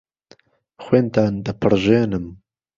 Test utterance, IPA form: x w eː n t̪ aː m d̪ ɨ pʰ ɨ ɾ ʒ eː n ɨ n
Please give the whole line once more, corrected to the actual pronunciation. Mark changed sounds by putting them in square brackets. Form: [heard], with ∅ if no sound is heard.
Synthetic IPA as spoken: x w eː n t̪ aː [n] d̪ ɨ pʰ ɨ ɾ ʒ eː n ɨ [m]